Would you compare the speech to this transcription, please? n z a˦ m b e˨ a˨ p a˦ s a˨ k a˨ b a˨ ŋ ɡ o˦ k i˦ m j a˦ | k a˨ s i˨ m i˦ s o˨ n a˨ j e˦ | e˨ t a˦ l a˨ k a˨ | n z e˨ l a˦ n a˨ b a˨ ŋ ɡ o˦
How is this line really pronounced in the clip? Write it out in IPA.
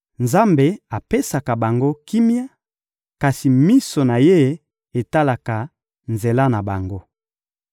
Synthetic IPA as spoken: n z a˦ m b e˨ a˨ p e˦ s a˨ k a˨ b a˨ ŋ ɡ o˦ k i˦ m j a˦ | k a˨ s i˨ m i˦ s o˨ n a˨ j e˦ | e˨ t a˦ l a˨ k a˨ | n z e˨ l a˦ n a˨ b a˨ ŋ ɡ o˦